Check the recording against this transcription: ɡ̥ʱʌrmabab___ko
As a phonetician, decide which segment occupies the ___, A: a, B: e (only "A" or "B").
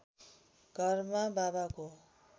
A